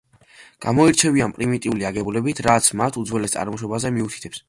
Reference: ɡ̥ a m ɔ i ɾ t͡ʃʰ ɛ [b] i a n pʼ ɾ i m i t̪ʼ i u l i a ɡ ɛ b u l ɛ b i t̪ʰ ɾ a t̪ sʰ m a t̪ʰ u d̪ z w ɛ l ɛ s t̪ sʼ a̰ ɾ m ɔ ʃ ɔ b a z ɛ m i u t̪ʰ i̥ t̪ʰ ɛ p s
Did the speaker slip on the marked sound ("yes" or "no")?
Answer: yes